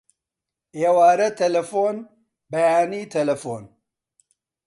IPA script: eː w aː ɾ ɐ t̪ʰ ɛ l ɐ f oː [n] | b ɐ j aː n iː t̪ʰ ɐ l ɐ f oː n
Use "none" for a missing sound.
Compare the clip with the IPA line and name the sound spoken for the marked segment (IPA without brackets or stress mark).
n